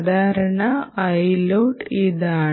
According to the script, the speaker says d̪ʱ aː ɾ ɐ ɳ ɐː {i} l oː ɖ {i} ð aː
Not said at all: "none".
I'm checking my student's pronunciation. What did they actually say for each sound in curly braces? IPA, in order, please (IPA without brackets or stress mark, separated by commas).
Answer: j, i